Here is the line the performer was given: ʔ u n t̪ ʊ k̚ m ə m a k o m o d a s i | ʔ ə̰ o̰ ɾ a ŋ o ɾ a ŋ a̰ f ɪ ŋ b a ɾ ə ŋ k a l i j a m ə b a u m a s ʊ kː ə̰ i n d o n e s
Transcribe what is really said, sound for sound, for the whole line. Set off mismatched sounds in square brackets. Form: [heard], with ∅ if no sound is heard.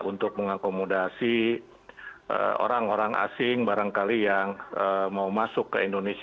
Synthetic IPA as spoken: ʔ u n t̪ ʊ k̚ m ə [ŋ] a k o m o d a s i | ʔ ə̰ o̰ ɾ a ŋ o ɾ a ŋ a̰ [s] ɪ ŋ b a ɾ [a] ŋ k a l i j a [ŋ] ə [m] a u m a s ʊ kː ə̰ i n d o n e s